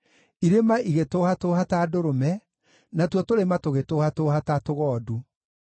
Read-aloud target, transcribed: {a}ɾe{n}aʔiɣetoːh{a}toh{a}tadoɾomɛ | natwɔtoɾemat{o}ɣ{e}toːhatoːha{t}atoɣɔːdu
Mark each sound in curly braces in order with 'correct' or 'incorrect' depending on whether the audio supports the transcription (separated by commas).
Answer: incorrect, incorrect, correct, correct, correct, correct, correct